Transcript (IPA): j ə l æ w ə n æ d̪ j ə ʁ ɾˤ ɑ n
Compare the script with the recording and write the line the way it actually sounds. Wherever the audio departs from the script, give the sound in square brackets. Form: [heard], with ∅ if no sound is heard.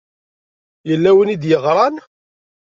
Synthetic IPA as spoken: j ə [lː] æ w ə n [i] d̪ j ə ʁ ɾˤ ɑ n